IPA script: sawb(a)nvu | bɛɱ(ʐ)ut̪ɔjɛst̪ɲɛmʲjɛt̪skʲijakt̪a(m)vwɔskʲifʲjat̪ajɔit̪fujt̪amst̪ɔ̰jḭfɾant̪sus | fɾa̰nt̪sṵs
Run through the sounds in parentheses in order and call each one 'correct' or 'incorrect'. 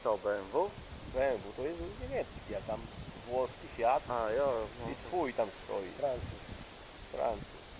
incorrect: ɛ, incorrect: v, correct

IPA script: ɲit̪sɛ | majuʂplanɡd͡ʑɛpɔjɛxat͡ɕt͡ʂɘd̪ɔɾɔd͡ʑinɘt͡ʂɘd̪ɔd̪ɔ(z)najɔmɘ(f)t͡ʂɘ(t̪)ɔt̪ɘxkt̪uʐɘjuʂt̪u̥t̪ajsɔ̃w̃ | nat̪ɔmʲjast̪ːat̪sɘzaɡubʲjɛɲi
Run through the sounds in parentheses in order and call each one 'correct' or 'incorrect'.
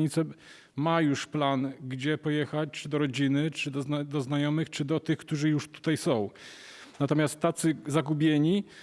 correct, incorrect: x, incorrect: d̪

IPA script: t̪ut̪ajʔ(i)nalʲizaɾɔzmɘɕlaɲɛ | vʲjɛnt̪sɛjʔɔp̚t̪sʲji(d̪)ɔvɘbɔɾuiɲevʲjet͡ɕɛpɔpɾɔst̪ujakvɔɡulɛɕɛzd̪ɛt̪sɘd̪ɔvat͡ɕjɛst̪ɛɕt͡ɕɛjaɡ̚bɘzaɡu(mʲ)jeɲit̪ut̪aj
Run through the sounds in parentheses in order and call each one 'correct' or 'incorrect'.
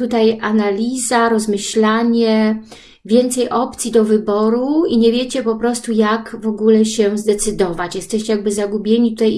incorrect: a, correct, incorrect: bʲ

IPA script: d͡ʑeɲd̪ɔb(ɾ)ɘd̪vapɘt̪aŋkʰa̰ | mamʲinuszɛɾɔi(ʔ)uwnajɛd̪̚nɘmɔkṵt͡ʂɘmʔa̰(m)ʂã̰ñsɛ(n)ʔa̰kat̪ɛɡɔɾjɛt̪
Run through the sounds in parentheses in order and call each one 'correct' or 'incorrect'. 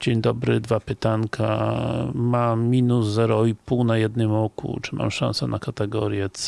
correct, incorrect: p, correct, correct

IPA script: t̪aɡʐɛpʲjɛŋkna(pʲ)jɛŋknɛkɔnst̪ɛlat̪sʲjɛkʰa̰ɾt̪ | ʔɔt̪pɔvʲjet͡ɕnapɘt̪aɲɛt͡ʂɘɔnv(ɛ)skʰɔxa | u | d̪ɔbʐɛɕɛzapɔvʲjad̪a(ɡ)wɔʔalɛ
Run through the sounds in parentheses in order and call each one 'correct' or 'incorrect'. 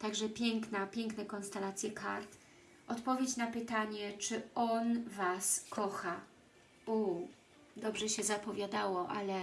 correct, incorrect: a, incorrect: none

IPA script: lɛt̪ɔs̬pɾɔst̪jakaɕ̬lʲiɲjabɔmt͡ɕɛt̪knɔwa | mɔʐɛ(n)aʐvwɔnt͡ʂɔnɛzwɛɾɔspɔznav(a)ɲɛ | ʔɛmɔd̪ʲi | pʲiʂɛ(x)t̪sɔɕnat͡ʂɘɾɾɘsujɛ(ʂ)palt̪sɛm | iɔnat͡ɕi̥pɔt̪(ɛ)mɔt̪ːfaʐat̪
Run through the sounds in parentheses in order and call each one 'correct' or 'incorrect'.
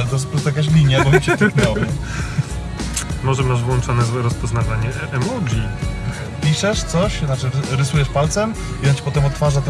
incorrect: m, correct, incorrect: ʂ, correct, correct

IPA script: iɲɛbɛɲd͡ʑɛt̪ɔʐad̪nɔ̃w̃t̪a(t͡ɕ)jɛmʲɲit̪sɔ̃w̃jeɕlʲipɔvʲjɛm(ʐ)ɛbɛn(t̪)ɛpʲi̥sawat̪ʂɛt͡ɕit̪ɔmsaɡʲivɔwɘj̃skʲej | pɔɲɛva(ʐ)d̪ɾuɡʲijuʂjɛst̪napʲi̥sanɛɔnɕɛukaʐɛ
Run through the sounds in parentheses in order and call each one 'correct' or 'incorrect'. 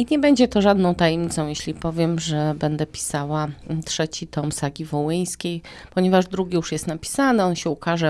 incorrect: none, correct, incorrect: d̪, correct

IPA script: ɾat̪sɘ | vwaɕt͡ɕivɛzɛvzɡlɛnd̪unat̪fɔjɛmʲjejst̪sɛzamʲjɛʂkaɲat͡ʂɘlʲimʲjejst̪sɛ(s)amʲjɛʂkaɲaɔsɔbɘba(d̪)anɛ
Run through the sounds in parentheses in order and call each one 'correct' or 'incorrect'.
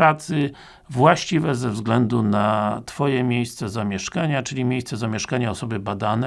incorrect: z, correct

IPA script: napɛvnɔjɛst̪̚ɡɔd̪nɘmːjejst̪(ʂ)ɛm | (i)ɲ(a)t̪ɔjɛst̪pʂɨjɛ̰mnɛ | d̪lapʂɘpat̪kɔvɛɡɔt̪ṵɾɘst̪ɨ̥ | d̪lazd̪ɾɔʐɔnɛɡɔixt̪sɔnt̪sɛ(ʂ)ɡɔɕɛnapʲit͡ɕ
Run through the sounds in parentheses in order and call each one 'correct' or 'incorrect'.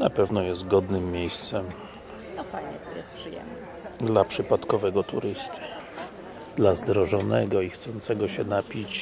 incorrect: s, incorrect: a, incorrect: ɛ, incorrect: none

